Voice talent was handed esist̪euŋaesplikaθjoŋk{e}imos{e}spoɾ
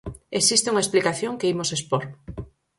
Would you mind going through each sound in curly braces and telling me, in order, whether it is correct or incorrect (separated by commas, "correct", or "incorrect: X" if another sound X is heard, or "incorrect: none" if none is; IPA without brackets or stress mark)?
correct, correct